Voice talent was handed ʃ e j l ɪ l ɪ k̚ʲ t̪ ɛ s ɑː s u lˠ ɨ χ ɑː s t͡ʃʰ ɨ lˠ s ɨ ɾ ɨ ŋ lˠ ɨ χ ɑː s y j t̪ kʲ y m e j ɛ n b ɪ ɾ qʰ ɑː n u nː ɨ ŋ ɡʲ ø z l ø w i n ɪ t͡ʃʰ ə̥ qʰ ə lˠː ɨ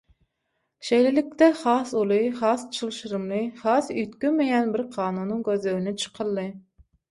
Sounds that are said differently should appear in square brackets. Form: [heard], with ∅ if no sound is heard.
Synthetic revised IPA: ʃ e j l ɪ l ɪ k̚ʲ t̪ ɛ [χ] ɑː s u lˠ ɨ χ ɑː s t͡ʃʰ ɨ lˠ [ʃ] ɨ ɾ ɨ [m] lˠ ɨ χ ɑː s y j t̪ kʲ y m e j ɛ n b ɪ ɾ qʰ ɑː n u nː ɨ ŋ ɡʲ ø z l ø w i n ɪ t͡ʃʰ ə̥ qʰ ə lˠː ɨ